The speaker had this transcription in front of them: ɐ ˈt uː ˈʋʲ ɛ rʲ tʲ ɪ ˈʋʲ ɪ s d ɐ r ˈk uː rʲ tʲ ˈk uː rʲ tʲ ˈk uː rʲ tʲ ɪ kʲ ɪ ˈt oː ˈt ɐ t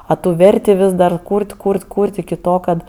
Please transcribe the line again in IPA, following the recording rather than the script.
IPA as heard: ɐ ˈt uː ˈʋʲ ɛ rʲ tʲ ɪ ˈʋʲ ɪ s d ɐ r ˈk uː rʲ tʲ ˈk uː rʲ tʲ ˈk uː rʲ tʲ ɪ kʲ ɪ ˈt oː ˈk ɐ t